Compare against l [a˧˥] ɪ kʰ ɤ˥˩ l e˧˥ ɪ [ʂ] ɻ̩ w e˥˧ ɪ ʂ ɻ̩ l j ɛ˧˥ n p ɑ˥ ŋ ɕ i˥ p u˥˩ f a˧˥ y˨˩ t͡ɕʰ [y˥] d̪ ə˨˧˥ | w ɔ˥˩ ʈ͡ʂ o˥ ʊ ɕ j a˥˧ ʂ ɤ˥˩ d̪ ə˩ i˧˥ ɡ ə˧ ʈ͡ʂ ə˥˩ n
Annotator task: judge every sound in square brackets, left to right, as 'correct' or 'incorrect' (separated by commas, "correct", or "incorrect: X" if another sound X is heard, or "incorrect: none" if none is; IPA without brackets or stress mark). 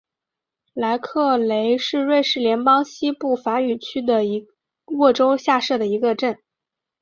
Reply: correct, correct, correct